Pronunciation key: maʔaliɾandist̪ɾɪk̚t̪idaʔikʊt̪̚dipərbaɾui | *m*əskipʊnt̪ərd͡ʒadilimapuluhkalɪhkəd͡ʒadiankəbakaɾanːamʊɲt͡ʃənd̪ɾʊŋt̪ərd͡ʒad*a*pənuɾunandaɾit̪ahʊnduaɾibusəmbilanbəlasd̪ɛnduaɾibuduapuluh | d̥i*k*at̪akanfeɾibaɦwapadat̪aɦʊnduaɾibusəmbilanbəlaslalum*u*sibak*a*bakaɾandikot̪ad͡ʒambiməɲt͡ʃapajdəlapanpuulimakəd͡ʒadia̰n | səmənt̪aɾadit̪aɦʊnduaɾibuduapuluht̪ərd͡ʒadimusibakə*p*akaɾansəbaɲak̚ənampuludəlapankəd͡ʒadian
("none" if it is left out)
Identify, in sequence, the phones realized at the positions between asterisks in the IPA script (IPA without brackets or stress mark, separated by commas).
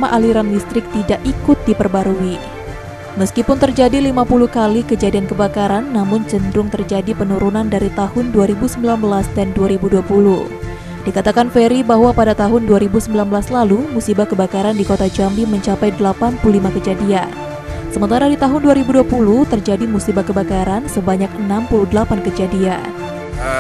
m, i, k, u, ə, b